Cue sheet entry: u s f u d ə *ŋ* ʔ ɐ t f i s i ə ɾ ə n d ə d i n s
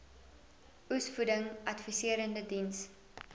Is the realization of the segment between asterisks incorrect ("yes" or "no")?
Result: no